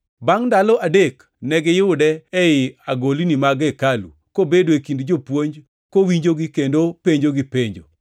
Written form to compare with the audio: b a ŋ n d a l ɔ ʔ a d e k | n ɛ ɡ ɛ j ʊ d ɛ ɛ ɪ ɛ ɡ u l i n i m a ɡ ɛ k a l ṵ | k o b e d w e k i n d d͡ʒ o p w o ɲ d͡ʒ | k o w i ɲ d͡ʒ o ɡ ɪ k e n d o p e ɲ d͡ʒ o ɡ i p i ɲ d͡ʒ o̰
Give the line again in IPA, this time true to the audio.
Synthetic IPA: b a ŋ n d a l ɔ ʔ a d e k | n ɛ ɡ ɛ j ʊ d ɛ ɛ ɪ a ɡ o l i n i m a ɡ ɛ k a l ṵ | k o b e d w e k i n d d͡ʒ o p w o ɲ d͡ʒ | k o w i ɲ d͡ʒ o ɡ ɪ k e n d o p e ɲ d͡ʒ o ɡ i p e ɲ d͡ʒ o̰